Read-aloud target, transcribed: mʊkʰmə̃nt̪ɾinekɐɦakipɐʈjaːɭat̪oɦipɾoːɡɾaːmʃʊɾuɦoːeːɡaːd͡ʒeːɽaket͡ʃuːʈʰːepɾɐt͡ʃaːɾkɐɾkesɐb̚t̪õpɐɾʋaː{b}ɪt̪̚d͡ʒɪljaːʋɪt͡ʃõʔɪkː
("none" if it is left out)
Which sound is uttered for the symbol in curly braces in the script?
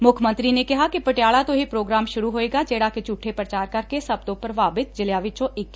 b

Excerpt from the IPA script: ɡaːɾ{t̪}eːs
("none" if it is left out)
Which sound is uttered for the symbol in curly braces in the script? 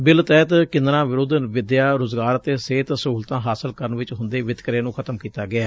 t̪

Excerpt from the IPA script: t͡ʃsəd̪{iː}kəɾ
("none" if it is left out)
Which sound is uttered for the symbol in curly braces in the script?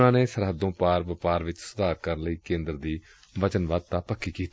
aː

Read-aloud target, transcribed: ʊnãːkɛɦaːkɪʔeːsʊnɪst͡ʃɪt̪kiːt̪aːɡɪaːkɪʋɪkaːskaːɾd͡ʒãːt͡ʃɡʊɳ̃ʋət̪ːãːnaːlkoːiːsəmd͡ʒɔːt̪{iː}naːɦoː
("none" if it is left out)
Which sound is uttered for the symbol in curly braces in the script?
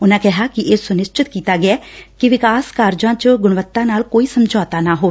aː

